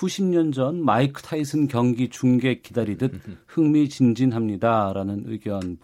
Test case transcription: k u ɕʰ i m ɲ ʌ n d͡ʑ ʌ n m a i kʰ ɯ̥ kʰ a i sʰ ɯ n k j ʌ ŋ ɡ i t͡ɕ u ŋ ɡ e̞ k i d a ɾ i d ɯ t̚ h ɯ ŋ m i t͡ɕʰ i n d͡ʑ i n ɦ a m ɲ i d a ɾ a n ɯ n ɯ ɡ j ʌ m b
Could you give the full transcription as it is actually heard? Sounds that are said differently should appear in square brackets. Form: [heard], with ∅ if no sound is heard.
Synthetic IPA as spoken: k u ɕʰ i m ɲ ʌ n d͡ʑ ʌ n m a i kʰ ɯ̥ [tʰ] a i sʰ ɯ n k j ʌ ŋ ɡ i t͡ɕ u ŋ ɡ e̞ k i d a ɾ i d ɯ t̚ h ɯ ŋ m i [t͡ɕ] i n d͡ʑ i n ɦ a m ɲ i d a ɾ a n ɯ n ɯ ɡ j ʌ [n] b